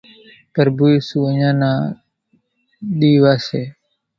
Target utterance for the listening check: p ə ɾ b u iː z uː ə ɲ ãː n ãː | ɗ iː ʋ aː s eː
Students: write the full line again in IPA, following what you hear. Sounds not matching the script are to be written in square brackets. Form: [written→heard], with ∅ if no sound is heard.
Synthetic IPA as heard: p ə ɾ b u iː [z→s] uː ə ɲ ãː n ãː | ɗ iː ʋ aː s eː